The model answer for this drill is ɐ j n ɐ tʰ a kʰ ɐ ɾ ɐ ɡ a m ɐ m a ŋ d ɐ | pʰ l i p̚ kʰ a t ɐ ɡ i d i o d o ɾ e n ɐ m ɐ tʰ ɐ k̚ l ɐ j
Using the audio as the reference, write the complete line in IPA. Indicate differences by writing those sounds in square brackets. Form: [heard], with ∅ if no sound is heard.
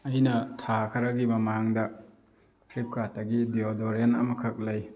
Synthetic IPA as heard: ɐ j n ɐ tʰ a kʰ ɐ ɾ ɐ ɡ [i] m ɐ m a ŋ d ɐ | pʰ [ɾ] i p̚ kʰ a t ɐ ɡ i d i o d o ɾ e n ɐ m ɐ [kʰ] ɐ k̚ l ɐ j